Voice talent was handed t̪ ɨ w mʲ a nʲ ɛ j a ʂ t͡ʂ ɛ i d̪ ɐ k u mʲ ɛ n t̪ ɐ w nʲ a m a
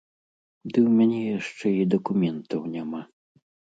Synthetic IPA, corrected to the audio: d̪ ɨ w mʲ a nʲ ɛ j a ʂ t͡ʂ ɛ i d̪ ɐ k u mʲ ɛ n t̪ ɐ w nʲ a m a